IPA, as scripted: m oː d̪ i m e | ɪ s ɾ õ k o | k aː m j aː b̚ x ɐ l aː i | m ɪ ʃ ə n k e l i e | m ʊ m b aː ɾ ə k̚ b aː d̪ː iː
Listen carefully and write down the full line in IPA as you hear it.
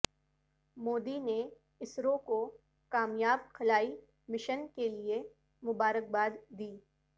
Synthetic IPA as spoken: m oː d̪ i n e | ɪ s ɾ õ k o | k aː m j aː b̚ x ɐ l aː i | m ɪ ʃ ə n k e l i e | m ʊ b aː ɾ ə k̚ b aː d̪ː iː